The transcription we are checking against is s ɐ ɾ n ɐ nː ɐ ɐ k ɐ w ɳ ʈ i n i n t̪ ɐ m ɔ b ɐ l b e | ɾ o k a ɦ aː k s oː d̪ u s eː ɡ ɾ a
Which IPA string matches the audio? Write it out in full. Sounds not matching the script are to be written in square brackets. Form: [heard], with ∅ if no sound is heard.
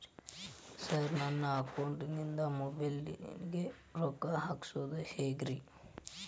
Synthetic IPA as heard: s ɐ ɾ n ɐ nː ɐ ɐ k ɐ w ɳ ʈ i n i n [d̪] ɐ m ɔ b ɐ l [ɡ] e | ɾ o k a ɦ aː k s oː d̪ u [h] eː ɡ ɾ [i]